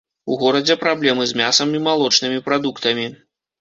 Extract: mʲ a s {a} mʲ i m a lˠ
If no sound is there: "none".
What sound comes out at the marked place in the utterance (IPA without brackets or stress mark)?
ɐ